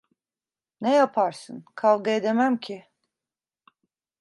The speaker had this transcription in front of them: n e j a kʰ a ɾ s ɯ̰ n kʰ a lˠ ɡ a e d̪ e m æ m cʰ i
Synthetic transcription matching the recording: n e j a pʰ a ɾ s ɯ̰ n kʰ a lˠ ɡ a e d̪ e m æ m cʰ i